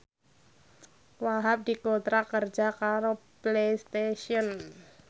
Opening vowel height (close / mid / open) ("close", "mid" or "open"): open